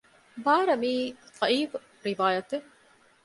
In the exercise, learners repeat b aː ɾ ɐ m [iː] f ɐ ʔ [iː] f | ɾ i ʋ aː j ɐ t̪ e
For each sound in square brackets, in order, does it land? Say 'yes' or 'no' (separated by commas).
yes, yes